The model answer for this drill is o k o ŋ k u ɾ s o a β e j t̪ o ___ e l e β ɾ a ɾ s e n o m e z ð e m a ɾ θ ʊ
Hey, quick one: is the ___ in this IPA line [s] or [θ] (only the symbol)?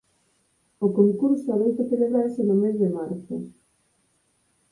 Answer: θ